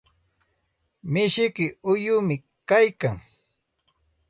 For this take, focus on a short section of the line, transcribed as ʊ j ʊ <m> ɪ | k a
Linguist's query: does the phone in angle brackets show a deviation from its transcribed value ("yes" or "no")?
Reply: no